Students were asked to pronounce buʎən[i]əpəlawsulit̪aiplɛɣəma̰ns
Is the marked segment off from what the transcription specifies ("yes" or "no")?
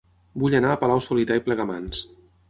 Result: yes